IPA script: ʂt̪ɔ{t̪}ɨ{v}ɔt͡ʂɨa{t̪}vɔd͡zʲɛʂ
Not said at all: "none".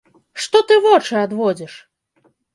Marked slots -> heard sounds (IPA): t̪, v, d̪

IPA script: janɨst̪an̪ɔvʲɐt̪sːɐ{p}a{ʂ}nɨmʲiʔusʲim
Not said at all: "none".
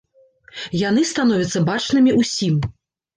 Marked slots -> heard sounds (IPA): b, t͡ʂ

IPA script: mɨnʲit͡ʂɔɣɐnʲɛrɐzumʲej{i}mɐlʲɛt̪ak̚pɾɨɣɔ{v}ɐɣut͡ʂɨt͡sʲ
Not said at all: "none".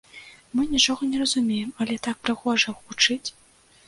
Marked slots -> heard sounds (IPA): ɛ, ʐ

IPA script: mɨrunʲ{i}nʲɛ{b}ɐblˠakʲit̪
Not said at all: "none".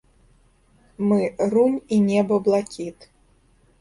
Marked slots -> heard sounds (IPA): i, b

